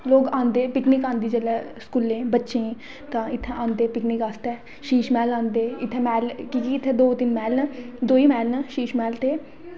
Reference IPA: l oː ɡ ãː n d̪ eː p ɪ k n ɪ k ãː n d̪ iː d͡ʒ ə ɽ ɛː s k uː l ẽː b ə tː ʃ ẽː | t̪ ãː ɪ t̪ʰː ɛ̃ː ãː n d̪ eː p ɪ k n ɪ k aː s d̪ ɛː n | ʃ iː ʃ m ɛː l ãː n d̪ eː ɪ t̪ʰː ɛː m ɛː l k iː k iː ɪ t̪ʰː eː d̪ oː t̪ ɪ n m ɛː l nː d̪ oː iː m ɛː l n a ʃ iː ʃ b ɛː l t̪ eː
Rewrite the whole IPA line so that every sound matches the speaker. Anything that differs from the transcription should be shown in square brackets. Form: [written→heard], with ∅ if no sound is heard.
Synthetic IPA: l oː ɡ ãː n d̪ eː p ɪ k n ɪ k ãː n d̪ iː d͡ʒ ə [ɽ→l] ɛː s k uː l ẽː b ə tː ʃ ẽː | t̪ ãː ɪ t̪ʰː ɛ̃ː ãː n d̪ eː p ɪ k n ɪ k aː s [d̪→t̪] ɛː [n→∅] | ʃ iː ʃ m ɛː l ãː n d̪ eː ɪ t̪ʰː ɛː m ɛː l k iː k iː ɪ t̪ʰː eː d̪ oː t̪ ɪ n m ɛː l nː d̪ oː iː m ɛː l n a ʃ iː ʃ [b→m] ɛː l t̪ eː